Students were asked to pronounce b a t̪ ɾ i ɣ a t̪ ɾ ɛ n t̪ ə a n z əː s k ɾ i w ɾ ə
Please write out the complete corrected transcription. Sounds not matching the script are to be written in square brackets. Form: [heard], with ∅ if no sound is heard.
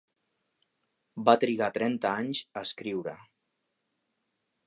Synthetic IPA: b a t̪ ɾ i ɣ a t̪ ɾ ɛ n t̪ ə a [ɲ] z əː s k ɾ i w ɾ ə